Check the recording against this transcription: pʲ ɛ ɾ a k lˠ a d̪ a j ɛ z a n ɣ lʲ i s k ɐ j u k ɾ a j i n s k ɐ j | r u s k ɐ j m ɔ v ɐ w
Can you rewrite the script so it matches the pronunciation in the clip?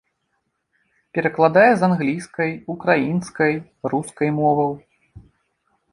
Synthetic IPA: pʲ ɛ ɾ ɐ k lˠ a d̪ a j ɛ z a n ɣ lʲ i s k ɐ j u k ɾ a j i n s k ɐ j | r u s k ɐ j m ɔ v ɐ w